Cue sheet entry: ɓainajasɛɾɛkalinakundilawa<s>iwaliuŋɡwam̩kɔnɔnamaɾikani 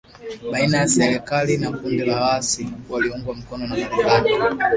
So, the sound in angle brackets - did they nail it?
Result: yes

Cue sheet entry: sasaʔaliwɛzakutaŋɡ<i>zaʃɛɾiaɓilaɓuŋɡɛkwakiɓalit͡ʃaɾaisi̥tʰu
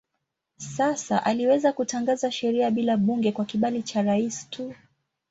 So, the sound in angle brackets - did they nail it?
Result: no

